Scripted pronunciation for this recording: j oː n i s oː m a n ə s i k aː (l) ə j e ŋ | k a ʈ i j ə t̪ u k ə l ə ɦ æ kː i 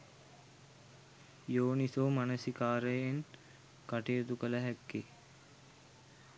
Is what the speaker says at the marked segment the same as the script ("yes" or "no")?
no